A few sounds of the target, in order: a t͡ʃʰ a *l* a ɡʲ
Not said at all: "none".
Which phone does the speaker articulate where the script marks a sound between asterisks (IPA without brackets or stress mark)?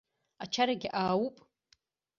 ɾ